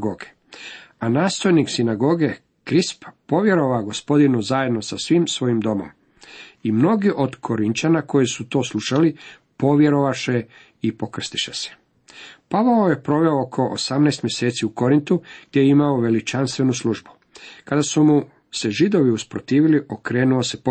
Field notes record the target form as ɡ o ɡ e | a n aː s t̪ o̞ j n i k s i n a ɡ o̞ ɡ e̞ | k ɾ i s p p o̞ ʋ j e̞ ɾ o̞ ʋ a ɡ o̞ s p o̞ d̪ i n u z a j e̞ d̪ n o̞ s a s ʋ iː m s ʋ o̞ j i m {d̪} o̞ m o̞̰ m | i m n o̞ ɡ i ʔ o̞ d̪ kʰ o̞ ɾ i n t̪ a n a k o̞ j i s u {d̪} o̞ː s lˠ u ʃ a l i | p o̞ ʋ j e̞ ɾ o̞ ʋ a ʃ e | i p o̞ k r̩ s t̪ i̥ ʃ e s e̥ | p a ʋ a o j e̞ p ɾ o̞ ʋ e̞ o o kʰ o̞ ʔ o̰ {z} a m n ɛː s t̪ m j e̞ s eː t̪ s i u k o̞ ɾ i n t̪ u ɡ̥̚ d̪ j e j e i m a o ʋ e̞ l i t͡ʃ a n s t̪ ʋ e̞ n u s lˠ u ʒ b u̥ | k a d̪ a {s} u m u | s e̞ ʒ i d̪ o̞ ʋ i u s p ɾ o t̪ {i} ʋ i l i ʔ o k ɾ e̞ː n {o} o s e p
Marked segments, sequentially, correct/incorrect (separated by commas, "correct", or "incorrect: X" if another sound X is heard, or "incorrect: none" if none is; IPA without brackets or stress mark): correct, incorrect: t̪, incorrect: s, correct, incorrect: iː, incorrect: u